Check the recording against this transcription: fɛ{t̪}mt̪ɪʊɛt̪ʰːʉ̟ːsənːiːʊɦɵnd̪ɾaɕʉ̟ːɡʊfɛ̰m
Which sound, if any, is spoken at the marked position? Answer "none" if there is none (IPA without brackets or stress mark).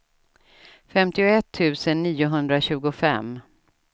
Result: none